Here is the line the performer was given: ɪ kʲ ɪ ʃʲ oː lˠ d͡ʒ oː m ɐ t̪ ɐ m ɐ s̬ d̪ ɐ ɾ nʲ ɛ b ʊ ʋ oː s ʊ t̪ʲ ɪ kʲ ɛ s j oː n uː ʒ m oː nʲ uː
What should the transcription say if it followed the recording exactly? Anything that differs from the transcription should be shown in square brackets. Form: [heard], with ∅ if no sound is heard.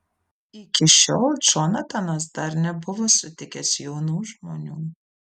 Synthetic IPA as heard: ɪ kʲ ɪ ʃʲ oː lˠ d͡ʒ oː [n] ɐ t̪ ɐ [n] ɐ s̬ d̪ ɐ ɾ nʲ ɛ b ʊ ʋ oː s ʊ t̪ʲ ɪ kʲ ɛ s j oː n uː ʒ m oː nʲ uː